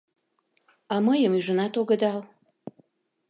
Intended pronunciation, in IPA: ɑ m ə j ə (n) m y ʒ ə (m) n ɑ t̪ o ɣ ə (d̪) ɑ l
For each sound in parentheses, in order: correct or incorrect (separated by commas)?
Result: incorrect, incorrect, correct